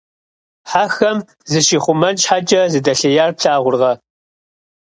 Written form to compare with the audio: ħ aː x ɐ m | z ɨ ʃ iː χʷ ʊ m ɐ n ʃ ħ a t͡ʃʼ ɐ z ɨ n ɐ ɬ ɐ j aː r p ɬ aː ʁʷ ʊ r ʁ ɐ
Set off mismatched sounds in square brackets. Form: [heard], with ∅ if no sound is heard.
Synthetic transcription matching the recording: ħ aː x ɐ m | z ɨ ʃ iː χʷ ʊ m ɐ n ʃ ħ a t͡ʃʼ ɐ z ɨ [d] ɐ ɬ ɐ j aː r p ɬ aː ʁʷ ʊ r ʁ ɐ